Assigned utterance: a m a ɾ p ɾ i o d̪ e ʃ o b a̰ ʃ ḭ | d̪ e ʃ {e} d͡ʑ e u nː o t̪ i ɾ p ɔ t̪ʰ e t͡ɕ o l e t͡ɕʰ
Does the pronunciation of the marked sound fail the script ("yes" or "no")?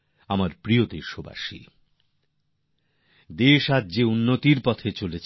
yes